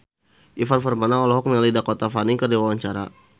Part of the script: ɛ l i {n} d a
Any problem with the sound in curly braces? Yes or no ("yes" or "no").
yes